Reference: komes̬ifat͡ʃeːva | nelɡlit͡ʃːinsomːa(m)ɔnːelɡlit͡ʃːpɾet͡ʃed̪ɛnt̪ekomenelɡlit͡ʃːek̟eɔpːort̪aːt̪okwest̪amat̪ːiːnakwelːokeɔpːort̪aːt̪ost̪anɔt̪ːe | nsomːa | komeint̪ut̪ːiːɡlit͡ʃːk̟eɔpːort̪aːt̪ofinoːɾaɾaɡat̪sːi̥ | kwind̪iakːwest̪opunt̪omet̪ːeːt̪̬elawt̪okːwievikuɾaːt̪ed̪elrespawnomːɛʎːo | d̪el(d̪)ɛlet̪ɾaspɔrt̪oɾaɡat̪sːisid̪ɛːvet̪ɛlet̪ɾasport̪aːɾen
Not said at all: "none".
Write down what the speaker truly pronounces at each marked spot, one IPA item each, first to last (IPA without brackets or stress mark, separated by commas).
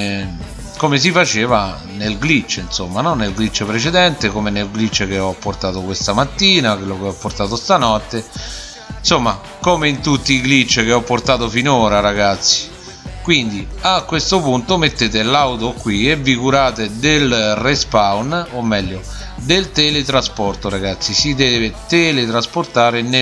n, t̪